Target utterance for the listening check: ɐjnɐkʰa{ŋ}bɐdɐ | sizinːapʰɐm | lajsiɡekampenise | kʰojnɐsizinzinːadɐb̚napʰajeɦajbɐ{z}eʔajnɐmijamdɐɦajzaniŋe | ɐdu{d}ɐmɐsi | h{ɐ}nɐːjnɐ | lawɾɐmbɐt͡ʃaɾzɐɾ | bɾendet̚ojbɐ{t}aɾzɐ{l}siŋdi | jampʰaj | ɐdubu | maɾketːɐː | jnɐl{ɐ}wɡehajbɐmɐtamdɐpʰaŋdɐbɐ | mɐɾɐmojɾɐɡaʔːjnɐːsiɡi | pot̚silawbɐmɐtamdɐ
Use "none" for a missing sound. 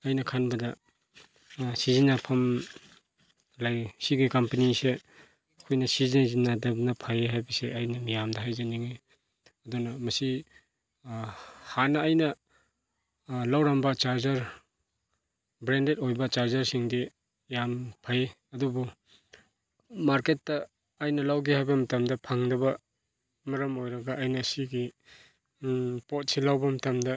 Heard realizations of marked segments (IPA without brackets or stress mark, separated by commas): n, s, n, a, t͡ʃ, ɾ, a